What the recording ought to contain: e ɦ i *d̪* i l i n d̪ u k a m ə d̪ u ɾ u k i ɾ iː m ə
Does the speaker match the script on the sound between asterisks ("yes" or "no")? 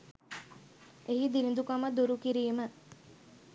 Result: yes